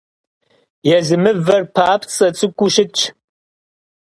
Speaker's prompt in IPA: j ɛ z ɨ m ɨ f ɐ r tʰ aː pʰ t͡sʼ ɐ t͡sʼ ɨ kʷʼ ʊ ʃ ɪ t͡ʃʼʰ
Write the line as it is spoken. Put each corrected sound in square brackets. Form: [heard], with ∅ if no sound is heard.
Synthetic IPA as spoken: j ɛ z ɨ m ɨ [v] ɐ r [pʰ] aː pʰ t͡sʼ ɐ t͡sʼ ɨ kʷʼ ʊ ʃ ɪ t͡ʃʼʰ